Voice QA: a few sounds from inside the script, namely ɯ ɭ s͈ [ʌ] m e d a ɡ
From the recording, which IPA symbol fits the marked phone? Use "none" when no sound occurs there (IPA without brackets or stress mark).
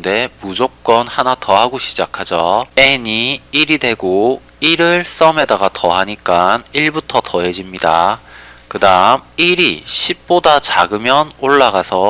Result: ʌ